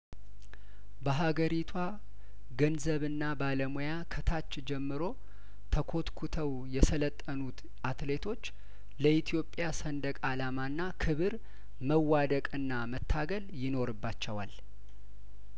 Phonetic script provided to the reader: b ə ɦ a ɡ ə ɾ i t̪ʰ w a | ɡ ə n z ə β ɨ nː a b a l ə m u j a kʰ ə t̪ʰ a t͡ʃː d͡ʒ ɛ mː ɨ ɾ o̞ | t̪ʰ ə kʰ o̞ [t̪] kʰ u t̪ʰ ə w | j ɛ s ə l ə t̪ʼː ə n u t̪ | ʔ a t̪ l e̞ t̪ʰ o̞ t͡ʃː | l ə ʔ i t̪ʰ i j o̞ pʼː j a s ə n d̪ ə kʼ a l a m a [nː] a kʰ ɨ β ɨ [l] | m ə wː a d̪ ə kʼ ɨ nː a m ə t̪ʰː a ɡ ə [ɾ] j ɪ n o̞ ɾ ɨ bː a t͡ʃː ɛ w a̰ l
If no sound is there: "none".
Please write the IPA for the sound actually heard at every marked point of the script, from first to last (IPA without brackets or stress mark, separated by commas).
t̪, nː, ɾ, l